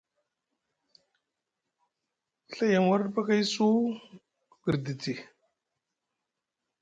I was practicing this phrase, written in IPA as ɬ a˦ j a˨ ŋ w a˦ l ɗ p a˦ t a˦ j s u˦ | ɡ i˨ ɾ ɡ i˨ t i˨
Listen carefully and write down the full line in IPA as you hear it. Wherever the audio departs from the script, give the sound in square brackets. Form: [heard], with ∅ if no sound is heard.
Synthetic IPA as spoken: ɬ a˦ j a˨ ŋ w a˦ [ɾ] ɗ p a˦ [k] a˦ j s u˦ | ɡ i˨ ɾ [d] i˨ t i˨

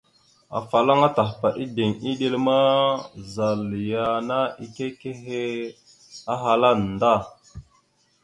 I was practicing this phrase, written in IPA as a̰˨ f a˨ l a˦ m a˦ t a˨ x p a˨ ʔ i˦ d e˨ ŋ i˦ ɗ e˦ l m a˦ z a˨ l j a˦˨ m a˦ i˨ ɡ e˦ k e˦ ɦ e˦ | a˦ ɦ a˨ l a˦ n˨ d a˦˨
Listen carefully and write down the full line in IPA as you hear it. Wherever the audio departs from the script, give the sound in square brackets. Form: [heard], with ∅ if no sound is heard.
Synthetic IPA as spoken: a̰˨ f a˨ l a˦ [ŋ] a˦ t a˨ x p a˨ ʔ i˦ d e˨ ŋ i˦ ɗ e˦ l m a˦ z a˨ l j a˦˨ [n] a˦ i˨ [k] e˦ k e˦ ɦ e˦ | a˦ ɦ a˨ l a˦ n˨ d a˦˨

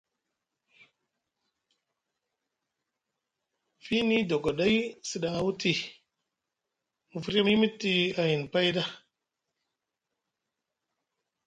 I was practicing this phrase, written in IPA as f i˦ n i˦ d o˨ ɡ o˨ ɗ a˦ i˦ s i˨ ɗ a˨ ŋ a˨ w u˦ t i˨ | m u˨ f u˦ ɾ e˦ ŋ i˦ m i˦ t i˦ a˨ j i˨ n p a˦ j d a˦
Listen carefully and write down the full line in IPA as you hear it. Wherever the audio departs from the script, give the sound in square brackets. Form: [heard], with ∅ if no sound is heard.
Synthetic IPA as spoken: f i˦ n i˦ d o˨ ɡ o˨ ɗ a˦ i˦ s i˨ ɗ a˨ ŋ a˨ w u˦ t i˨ | m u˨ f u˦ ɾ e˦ [m] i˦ m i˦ t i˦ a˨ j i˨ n p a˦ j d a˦

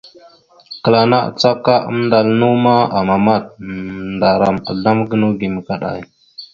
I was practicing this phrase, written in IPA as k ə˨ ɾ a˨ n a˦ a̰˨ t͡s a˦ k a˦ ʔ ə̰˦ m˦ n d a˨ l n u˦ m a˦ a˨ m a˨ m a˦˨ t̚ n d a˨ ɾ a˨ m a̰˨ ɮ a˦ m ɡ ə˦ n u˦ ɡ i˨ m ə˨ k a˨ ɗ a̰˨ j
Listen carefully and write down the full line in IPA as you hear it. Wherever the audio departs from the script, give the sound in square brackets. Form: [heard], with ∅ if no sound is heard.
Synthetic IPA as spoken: k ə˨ [l] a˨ n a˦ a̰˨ t͡s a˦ k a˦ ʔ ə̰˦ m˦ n d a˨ l n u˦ m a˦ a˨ m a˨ m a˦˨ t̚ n d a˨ ɾ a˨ m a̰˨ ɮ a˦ m ɡ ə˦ n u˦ ɡ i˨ m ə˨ k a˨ ɗ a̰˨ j

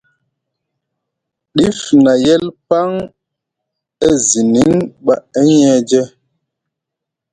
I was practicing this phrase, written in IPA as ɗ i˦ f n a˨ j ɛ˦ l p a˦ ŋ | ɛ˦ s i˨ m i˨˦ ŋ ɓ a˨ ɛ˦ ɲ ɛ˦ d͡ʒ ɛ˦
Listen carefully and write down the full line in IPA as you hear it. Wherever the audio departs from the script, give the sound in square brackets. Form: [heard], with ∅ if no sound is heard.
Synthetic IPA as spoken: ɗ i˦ f n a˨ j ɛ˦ l p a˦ ŋ | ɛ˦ [z] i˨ [n] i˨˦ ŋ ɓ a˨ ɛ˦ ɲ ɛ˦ d͡ʒ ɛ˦

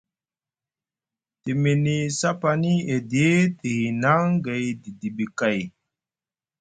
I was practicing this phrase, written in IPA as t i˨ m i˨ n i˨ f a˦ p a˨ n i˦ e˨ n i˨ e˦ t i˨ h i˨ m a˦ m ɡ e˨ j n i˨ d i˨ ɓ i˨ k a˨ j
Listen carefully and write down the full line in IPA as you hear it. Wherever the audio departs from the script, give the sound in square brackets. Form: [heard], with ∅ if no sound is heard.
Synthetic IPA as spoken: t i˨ m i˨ n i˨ [s] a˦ p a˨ n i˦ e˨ [d] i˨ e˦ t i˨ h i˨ [n] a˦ [ŋ] ɡ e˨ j [d] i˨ d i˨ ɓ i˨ k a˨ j

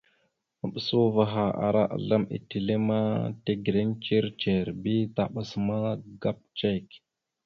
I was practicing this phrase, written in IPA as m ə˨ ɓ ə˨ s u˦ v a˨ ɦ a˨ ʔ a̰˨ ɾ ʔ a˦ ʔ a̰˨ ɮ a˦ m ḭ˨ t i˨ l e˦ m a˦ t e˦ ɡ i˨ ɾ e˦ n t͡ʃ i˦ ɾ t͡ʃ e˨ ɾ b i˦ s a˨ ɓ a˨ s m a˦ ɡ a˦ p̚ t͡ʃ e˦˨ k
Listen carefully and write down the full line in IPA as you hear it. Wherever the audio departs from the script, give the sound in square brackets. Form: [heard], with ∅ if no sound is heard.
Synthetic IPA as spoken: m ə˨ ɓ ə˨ s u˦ v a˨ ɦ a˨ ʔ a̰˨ ɾ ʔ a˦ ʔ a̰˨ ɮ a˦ m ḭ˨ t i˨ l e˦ m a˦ t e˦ ɡ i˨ ɾ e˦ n t͡ʃ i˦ ɾ t͡ʃ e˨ ɾ b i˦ [t] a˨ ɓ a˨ s m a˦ ɡ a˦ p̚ t͡ʃ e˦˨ k

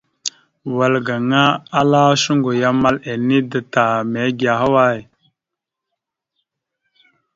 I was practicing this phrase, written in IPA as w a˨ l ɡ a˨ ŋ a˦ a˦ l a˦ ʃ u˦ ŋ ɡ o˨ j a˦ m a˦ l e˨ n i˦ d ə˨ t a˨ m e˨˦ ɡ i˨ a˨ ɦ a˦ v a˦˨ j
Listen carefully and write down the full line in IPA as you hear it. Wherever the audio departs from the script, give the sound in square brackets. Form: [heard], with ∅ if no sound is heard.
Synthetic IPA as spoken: w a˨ l ɡ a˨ ŋ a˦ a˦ l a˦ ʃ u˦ ŋ ɡ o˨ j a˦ m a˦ l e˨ n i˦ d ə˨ t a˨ m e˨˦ ɡ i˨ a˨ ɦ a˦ [w] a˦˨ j

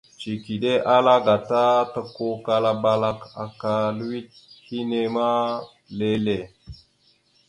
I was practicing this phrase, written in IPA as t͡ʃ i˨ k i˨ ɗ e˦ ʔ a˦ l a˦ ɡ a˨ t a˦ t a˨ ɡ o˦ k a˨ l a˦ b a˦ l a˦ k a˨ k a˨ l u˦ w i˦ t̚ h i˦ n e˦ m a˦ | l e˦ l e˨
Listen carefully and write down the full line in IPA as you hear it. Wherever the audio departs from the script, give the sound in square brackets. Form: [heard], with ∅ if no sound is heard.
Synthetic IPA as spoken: t͡ʃ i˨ k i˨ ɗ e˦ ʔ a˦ l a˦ ɡ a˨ t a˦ t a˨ [k] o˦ k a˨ l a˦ b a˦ l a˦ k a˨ k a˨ l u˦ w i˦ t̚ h i˦ n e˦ m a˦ | l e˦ l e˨

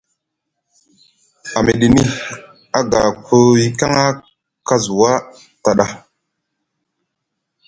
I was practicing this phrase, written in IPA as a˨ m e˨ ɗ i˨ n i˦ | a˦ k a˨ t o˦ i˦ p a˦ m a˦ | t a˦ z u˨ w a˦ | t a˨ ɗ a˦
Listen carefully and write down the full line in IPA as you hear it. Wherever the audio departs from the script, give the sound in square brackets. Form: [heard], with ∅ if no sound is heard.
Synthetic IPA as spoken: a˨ m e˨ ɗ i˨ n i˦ | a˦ [ɡ] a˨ [k] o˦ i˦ [k] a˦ [ŋ] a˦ | [k] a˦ z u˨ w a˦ | t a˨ ɗ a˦

